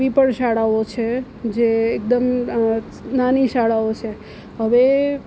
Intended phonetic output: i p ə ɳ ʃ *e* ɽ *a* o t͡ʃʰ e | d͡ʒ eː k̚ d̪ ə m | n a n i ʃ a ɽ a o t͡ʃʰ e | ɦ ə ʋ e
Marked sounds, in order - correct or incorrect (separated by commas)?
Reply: incorrect, correct